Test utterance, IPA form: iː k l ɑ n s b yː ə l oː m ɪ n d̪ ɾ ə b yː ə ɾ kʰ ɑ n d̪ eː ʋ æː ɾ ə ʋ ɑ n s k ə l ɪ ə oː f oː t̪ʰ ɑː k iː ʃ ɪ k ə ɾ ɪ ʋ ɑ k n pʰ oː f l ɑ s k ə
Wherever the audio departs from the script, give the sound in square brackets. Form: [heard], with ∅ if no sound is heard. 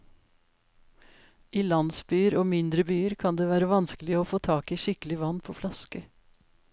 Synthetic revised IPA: iː [∅] l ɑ n s b yː ə [ɾ] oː m ɪ n d̪ ɾ ə b yː ə ɾ kʰ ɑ n d̪ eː ʋ æː ɾ ə ʋ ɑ n s k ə l ɪ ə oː f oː t̪ʰ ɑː k iː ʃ ɪ k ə [l] ɪ ʋ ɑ [∅] n pʰ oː f l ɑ s k ə